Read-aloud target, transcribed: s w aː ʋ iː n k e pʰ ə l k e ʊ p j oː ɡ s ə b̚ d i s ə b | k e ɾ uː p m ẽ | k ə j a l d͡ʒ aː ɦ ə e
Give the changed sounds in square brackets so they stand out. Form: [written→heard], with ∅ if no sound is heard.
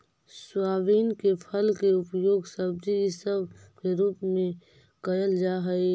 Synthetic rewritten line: s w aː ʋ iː n k e pʰ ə l k e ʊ p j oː ɡ s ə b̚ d i s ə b | k e ɾ uː p m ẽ | k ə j [a→ə] l d͡ʒ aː ɦ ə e

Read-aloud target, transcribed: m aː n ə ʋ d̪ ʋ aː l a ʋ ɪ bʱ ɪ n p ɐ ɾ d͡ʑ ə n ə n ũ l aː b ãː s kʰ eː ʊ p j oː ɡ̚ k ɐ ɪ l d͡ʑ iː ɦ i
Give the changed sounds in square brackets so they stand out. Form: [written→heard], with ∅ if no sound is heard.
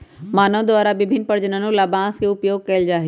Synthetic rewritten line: m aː n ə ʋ d̪ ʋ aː [l→ɾ] a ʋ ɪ bʱ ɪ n p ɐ ɾ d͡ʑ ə n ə n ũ l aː b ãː s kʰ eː ʊ p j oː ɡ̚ k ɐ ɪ l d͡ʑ [iː→aː] ɦ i

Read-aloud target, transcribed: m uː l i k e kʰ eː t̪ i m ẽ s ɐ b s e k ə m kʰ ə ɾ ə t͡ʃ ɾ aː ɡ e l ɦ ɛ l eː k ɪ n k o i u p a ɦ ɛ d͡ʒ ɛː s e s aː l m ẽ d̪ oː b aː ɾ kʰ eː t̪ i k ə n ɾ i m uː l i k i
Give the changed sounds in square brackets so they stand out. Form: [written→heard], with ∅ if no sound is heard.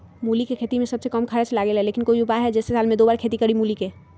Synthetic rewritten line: m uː l i k e kʰ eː t̪ i m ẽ s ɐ b s e k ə m kʰ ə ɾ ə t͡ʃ [ɾ→l] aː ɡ e l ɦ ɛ l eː k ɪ n k o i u p a ɦ ɛ d͡ʒ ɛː s e s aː l m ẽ d̪ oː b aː ɾ kʰ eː t̪ i k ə [n→∅] ɾ i m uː l i k [i→e]

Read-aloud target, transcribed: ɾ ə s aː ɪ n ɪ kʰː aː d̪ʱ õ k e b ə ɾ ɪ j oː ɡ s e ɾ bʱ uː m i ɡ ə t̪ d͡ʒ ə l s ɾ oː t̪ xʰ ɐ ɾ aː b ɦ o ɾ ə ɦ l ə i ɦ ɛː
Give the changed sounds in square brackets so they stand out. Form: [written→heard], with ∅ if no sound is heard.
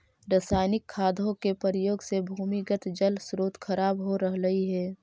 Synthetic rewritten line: ɾ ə s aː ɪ n ɪ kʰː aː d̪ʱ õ k e [b→p] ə ɾ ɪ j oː ɡ s e [ɾ→∅] bʱ uː m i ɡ ə t̪ d͡ʒ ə l s ɾ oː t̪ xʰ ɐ ɾ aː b ɦ o ɾ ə ɦ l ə i ɦ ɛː

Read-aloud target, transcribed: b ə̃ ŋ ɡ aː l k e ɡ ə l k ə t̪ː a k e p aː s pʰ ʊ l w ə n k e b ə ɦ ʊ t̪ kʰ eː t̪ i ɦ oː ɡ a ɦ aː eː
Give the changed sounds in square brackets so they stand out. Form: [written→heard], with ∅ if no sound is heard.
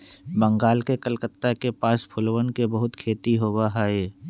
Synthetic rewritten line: b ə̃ ŋ ɡ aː l k e [ɡ→k] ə l k ə t̪ː a k e p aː s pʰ ʊ l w ə n k e b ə ɦ ʊ t̪ kʰ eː t̪ i ɦ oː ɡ a ɦ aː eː

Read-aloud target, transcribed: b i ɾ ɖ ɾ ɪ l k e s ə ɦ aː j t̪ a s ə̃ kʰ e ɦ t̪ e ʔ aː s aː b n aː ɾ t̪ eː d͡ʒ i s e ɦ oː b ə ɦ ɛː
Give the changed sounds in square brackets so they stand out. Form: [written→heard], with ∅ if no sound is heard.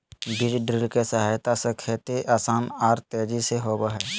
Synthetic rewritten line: b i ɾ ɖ ɾ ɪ l k e s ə ɦ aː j t̪ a s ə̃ kʰ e [ɦ→∅] t̪ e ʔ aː s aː [b→∅] n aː ɾ t̪ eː d͡ʒ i s e ɦ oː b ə ɦ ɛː

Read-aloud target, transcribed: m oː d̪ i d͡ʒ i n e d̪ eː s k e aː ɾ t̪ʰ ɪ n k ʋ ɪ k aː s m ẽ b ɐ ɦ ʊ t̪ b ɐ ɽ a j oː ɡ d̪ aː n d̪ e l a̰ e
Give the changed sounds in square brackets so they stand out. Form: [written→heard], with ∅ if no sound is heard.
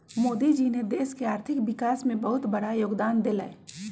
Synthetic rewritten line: m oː d̪ i d͡ʒ i n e d̪ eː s k e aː ɾ t̪ʰ ɪ [n→∅] k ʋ ɪ k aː s m ẽ b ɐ ɦ ʊ t̪ b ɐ ɽ a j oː ɡ d̪ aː n d̪ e l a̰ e

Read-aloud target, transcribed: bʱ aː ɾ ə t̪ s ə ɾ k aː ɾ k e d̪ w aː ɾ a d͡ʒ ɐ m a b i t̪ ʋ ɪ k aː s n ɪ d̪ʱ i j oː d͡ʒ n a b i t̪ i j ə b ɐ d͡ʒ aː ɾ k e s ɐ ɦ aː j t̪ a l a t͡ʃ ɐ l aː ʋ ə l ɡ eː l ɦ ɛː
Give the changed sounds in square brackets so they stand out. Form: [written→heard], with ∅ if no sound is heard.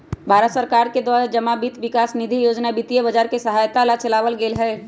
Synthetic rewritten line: bʱ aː ɾ ə t̪ s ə ɾ k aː ɾ k e d̪ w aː ɾ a d͡ʒ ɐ m a b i t̪ ʋ ɪ k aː s n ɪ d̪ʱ i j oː d͡ʒ n a b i t̪ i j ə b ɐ d͡ʒ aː ɾ k e s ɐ ɦ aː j t̪ a l a t͡ʃ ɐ l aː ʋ ə l ɡ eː l ɦ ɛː

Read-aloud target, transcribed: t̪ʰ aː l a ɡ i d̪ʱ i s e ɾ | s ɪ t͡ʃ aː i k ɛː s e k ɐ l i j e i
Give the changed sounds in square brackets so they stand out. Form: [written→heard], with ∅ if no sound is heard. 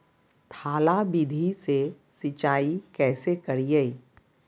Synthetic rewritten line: t̪ʰ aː l a [ɡ→b] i d̪ʱ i s e [ɾ→∅] | s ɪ t͡ʃ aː i k ɛː s e k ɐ [l→ɾ] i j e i

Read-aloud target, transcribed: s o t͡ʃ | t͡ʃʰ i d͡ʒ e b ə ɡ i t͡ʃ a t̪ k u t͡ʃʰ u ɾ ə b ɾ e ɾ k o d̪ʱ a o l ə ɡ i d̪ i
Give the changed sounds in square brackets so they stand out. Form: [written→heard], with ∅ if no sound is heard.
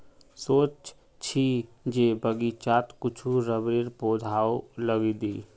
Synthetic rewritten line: s o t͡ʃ | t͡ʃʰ i d͡ʒ e b ə ɡ i t͡ʃ a t̪ k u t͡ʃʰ u ɾ ə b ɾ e ɾ [k→p] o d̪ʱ a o l ə ɡ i d̪ i

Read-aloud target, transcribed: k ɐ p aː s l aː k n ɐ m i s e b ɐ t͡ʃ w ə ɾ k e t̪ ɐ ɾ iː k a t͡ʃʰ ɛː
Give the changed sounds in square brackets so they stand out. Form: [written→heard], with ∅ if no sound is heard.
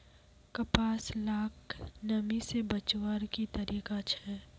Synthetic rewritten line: k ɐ p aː s l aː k n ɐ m i s e b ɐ t͡ʃ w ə ɾ k [e→i] t̪ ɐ ɾ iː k a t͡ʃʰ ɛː

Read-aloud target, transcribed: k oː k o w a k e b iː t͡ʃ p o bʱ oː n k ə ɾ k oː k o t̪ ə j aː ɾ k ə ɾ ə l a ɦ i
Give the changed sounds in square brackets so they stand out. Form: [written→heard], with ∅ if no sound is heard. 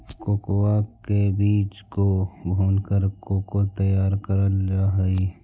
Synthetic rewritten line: k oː k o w a k e b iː t͡ʃ [p→k] o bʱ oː n k ə ɾ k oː k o t̪ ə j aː ɾ k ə ɾ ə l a ɦ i

